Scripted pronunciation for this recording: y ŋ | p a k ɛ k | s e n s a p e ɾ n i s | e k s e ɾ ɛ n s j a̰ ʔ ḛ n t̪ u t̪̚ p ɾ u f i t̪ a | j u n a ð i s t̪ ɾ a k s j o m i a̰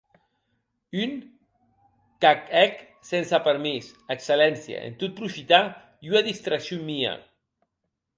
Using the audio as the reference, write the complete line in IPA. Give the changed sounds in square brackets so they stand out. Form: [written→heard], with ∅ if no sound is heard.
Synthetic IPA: y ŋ | [p→k] a k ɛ k | s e n s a p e ɾ [n→m] i s | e k s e [ɾ→l] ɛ n s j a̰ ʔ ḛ n t̪ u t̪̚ p ɾ u f i t̪ a | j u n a ð i s t̪ ɾ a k s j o m i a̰